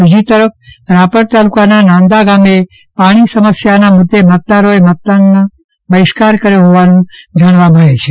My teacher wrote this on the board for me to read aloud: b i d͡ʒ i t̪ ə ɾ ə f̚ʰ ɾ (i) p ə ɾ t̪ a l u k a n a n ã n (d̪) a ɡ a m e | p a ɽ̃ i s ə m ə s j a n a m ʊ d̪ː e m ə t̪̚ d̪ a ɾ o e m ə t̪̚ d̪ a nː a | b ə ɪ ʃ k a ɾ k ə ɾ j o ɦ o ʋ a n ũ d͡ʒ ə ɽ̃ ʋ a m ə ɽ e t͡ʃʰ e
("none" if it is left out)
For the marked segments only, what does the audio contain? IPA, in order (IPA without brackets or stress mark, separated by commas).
a, d̪